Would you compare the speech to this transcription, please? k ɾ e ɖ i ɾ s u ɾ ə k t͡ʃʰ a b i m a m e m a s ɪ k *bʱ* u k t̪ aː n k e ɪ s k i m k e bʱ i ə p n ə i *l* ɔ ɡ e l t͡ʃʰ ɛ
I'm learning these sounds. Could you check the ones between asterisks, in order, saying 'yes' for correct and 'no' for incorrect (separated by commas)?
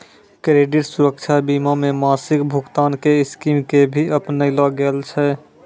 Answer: yes, yes